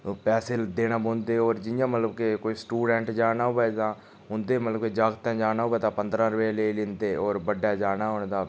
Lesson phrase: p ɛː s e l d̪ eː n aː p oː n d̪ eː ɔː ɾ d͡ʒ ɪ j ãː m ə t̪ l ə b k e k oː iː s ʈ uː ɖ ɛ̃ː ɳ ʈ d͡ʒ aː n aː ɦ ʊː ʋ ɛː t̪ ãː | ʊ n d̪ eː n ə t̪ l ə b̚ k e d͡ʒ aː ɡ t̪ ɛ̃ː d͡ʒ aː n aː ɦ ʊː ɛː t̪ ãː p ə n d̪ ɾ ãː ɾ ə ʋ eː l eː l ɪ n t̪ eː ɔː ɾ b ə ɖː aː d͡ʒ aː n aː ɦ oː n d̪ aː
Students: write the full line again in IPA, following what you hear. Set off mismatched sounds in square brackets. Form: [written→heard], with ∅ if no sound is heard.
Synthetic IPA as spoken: p ɛː s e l d̪ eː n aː [p→b] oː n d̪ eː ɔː ɾ d͡ʒ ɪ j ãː m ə t̪ l ə b k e k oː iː s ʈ uː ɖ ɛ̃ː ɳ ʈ d͡ʒ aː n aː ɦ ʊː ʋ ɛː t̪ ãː | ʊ n d̪ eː [n→m] ə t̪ l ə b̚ k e d͡ʒ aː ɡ t̪ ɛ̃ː d͡ʒ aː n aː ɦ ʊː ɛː t̪ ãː p ə n d̪ ɾ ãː ɾ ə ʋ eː l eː l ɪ n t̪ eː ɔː ɾ b ə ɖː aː d͡ʒ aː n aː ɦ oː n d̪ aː